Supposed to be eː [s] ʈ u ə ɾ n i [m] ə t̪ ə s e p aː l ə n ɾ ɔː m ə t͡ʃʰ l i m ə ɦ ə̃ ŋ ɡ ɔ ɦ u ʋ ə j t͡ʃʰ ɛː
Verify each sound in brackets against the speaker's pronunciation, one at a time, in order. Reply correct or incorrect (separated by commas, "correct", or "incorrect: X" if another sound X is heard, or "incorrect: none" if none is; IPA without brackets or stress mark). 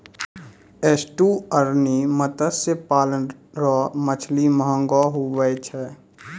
correct, correct